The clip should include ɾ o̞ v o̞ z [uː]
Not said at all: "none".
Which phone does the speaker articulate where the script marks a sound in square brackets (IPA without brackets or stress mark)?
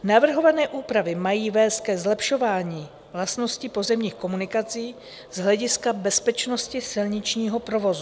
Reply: u